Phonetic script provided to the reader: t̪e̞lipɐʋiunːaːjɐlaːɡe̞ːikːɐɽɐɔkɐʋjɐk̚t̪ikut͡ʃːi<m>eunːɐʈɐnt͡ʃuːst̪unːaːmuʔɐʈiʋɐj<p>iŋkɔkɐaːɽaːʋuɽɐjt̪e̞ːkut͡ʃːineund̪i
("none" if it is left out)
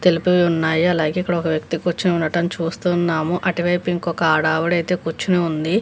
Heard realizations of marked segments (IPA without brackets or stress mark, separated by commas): n, p